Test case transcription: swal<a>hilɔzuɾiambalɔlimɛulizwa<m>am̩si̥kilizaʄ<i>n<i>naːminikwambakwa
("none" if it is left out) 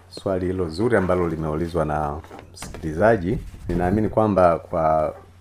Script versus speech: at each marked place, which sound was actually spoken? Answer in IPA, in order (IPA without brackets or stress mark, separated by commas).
i, n, i, i